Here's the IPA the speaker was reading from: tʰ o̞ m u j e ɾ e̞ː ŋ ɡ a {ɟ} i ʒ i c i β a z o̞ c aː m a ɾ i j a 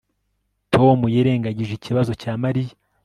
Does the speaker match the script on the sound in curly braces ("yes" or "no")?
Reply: yes